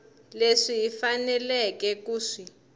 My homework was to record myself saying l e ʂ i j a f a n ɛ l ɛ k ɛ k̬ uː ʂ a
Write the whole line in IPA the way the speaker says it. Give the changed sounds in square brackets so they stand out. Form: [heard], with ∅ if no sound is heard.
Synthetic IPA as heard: l e ʂ i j [i] f a n ɛ l ɛ k ɛ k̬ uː ʂ [i]